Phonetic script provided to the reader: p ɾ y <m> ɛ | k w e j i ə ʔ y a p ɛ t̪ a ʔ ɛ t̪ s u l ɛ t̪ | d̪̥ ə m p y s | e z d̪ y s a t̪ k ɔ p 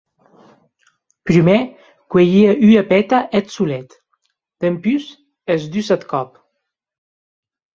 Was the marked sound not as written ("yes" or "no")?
no